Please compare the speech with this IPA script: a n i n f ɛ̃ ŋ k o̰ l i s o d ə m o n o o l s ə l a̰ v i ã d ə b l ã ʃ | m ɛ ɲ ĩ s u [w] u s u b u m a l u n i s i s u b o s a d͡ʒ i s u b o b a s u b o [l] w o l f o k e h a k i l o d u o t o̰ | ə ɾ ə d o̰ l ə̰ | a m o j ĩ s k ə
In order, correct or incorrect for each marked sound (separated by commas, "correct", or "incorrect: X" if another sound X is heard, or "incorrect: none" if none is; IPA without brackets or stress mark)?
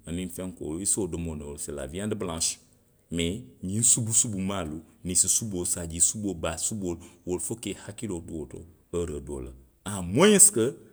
incorrect: b, correct